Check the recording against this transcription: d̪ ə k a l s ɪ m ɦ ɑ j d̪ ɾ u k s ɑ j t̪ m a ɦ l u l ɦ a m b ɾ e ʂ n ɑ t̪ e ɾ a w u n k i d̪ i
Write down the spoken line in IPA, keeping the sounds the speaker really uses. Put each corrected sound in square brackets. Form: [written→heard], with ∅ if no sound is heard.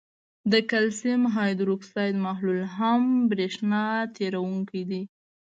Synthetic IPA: d̪ ə k a l s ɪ m ɦ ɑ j d̪ ɾ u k s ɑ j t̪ m a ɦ l u l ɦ a m b ɾ e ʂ n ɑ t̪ e ɾ a w u [n→ŋ] k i d̪ i

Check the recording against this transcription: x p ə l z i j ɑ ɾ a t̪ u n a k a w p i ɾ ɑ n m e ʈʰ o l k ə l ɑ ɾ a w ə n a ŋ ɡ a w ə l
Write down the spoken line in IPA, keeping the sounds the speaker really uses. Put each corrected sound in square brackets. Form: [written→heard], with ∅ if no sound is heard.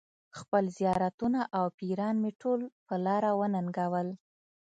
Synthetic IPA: x p ə l z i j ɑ ɾ a t̪ u n a [k→ʔ] a w p i ɾ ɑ n m e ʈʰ o l [k→p] ə l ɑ ɾ a w ə n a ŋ ɡ a w ə l

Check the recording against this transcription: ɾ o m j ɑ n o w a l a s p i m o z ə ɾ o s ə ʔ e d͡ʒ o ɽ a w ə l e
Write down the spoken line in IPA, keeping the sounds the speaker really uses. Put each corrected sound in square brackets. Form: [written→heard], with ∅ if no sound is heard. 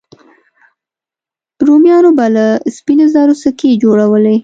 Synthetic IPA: ɾ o m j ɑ n o [w→b] a l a s p i [m→n] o z [ə→ɑ] ɾ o s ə [ʔ→k] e d͡ʒ o ɽ a w ə l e

